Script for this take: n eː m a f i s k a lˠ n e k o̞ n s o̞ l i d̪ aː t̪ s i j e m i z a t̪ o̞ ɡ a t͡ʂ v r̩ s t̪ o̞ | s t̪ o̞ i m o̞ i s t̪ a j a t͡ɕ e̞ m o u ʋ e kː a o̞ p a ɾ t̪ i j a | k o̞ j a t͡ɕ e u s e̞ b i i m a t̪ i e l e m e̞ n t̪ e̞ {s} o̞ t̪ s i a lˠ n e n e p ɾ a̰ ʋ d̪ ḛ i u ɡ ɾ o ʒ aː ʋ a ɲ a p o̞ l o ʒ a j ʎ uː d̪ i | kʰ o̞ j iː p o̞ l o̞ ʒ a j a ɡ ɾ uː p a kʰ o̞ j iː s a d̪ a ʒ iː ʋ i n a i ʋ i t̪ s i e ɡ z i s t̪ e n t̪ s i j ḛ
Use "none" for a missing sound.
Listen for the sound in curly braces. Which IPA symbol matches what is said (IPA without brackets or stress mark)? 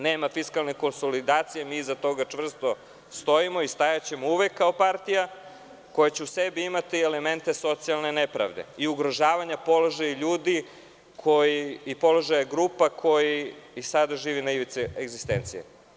s